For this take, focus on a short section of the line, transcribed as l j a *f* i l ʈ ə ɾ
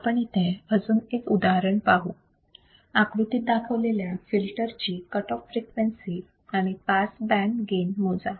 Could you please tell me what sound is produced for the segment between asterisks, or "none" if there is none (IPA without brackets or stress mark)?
f